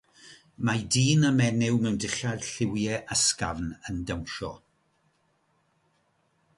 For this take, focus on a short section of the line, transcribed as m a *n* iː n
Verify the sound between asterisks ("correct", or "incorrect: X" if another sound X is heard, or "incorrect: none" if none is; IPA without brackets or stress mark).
incorrect: d